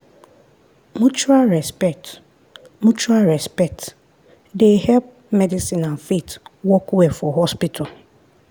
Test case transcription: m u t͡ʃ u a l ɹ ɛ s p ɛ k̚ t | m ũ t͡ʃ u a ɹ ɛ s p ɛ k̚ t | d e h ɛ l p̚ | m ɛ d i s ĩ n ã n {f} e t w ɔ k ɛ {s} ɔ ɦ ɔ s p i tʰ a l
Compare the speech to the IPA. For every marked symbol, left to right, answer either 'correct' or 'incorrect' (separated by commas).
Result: correct, incorrect